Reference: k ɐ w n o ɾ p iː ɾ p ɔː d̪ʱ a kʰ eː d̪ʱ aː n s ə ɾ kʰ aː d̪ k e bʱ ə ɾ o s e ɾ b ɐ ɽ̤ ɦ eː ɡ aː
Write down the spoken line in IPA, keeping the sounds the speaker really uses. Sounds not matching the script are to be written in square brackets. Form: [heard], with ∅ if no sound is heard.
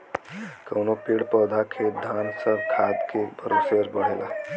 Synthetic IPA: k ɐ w n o [∅] p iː [ɽ] p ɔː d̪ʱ a kʰ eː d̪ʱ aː n s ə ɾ kʰ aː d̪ k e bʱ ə ɾ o s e ɾ b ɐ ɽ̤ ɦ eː ɡ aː

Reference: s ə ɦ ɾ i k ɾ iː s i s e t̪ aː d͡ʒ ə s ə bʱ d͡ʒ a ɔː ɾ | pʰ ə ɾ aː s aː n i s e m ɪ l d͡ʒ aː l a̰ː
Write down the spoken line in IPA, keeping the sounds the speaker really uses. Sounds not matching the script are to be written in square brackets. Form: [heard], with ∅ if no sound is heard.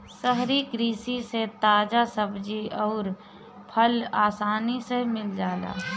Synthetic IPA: s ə ɦ ɾ i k ɾ iː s i s e t̪ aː d͡ʒ [a] s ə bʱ d͡ʒ [i] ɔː ɾ | pʰ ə [l] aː s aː n i s e m ɪ l d͡ʒ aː l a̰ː

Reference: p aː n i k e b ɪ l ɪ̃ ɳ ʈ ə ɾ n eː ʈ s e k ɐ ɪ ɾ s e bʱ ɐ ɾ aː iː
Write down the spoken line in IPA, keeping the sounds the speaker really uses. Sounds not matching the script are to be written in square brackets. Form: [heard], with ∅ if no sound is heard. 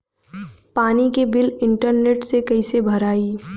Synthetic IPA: p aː n i k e b ɪ l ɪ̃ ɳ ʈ ə ɾ n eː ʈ s e k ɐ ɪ [∅] s e bʱ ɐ ɾ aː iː

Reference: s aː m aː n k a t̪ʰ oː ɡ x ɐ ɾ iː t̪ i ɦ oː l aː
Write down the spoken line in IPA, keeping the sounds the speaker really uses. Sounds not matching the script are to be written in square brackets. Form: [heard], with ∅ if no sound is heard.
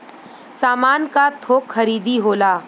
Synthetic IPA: s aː m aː n k a t̪ʰ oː [k] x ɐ ɾ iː [d̪] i ɦ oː l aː

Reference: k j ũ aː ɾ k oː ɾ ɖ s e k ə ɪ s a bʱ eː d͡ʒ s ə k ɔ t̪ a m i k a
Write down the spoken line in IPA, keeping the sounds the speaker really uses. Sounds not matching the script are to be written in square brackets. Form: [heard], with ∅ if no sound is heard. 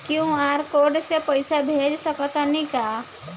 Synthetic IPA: k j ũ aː ɾ k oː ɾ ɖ s e [p] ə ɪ s a bʱ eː d͡ʒ s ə k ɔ t̪ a [n] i k a

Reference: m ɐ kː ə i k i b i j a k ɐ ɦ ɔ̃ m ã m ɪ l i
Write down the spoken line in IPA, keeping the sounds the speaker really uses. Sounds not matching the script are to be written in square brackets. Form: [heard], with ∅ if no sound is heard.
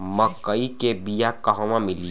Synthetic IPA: m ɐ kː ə i k [e] b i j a k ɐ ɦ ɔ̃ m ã m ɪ l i

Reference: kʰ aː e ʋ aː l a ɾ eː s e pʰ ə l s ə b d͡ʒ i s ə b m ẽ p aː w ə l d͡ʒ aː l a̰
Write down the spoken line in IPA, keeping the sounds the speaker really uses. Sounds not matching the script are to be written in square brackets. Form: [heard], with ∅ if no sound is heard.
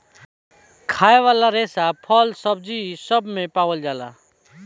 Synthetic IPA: kʰ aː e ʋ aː l a ɾ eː s [a] pʰ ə l s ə b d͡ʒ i s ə b m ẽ p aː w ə l d͡ʒ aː l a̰

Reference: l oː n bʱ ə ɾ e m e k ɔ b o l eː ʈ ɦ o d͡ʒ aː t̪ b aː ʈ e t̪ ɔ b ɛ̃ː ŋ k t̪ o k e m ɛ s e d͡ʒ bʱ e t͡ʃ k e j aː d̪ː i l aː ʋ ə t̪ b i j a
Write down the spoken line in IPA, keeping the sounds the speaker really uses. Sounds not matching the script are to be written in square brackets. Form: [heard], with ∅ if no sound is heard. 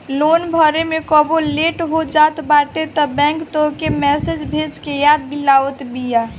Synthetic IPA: l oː n bʱ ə ɾ e m e k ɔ b o l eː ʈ ɦ o d͡ʒ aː t̪ b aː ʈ e t̪ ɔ b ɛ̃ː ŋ k t̪ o k e m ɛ s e d͡ʒ bʱ e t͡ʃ k e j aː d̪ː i l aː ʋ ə t̪ b i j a

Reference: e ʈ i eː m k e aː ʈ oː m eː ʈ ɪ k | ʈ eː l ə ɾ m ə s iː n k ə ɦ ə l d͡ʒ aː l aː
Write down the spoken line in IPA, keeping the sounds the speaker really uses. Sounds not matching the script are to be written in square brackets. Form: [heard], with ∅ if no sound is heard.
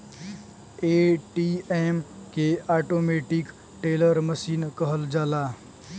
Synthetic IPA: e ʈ i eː m k e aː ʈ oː m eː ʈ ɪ k | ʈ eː l ə ɾ m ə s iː n k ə ɦ ə l d͡ʒ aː l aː

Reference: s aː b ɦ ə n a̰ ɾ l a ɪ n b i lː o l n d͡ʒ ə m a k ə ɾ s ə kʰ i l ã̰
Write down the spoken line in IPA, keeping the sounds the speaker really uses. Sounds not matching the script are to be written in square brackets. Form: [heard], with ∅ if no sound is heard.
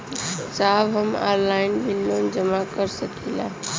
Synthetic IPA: s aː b ɦ ə [m] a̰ ɾ l a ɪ n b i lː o [∅] n d͡ʒ ə m a k ə ɾ s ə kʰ i l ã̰

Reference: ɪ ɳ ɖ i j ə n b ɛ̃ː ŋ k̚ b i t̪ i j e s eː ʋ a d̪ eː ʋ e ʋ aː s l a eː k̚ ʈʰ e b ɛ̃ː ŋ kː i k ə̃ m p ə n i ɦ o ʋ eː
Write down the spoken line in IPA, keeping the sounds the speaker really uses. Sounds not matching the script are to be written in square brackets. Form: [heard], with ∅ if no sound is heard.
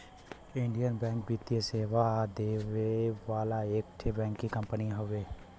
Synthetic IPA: ɪ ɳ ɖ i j ə n b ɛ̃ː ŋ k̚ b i t̪ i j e s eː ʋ a d̪ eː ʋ e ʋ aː [∅] l a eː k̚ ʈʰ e b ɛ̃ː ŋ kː i k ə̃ m p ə n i ɦ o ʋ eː

